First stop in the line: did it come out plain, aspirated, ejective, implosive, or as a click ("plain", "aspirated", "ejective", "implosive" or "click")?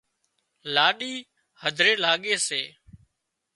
implosive